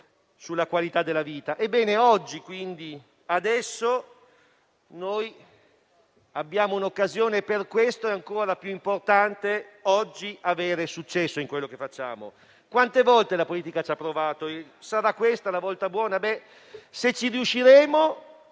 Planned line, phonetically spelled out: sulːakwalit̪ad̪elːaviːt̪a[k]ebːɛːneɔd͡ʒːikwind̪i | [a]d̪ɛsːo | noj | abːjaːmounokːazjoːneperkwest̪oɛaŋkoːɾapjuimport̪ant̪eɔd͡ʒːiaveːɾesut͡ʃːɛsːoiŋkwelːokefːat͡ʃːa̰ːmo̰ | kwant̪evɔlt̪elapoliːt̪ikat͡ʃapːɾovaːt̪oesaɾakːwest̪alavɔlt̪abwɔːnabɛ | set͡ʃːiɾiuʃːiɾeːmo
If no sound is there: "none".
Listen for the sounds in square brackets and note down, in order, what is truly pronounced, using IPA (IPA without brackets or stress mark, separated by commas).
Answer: ʔ, a